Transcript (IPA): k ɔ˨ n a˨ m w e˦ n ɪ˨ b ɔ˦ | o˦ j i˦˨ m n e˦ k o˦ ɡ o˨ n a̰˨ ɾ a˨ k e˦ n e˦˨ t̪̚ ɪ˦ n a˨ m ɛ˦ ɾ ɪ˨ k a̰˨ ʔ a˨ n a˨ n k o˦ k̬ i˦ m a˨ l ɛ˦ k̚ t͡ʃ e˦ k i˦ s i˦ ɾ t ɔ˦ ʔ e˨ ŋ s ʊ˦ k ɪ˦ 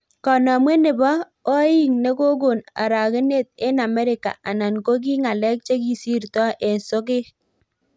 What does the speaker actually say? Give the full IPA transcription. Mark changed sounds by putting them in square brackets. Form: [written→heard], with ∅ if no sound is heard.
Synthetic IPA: k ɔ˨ n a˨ m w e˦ n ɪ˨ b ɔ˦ | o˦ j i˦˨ [m→ŋ] n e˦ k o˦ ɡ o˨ n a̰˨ ɾ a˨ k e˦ n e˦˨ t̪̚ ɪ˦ n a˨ m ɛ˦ ɾ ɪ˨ k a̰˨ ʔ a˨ n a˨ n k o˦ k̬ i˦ [m→ŋ] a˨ l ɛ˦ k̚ t͡ʃ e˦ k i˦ s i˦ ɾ t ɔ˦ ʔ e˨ [ŋ→n] s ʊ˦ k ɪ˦

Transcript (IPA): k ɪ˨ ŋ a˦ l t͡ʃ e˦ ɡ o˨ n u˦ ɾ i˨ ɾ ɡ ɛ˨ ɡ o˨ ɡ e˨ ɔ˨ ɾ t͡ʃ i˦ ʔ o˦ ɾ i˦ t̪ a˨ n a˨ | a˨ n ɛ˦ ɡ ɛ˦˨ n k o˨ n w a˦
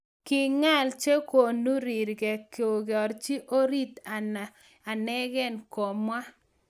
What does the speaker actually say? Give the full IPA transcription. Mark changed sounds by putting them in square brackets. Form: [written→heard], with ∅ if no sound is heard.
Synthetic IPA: k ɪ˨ ŋ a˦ l t͡ʃ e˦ [ɡ→k] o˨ n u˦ ɾ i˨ ɾ ɡ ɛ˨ [ɡ→k] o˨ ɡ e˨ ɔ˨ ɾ t͡ʃ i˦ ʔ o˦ ɾ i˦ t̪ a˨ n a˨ | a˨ n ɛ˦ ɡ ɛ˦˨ n k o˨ [n→m] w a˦

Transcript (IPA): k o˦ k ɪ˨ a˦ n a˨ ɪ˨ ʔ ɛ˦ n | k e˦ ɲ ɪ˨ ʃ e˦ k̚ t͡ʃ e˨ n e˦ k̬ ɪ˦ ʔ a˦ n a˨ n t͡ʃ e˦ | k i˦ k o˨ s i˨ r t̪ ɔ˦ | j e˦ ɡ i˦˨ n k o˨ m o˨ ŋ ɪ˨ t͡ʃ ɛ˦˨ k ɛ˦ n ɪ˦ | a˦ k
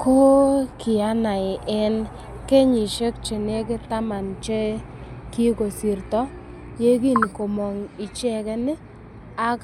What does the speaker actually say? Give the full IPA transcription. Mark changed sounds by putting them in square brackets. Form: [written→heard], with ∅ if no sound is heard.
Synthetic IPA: k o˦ k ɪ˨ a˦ n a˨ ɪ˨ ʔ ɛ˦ n | k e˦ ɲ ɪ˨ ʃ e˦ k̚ t͡ʃ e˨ n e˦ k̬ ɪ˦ [ʔ→t] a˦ [n→m] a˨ n t͡ʃ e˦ | k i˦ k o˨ s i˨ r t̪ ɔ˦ | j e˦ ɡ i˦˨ n k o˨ m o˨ ŋ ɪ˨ t͡ʃ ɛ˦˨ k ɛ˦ n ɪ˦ | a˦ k

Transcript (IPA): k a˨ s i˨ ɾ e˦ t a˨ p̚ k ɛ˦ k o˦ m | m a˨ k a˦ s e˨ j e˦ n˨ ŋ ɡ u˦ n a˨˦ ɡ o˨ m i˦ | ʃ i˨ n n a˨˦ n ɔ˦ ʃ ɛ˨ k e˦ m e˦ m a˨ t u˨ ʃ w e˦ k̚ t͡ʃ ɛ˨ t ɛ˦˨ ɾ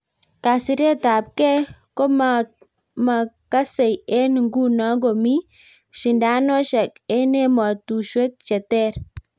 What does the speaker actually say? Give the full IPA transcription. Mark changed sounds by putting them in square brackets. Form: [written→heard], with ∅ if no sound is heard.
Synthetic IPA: k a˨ s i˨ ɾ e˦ t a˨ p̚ k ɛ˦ k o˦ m | m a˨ k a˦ s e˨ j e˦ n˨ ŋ ɡ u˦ n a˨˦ ɡ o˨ m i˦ | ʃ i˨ n [n→d] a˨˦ n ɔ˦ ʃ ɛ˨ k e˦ [m→n] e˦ m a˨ t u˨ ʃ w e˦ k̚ t͡ʃ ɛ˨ t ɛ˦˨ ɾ

